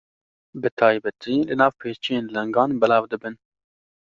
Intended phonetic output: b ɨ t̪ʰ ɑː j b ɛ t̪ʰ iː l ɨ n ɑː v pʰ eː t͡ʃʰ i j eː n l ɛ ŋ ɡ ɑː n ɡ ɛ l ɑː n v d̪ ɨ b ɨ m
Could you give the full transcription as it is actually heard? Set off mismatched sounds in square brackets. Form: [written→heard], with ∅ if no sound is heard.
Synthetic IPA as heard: b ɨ t̪ʰ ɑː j b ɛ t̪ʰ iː l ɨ n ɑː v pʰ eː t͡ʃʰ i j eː n l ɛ ŋ ɡ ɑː n [ɡ→b] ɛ l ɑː [n→∅] v d̪ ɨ b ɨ [m→n]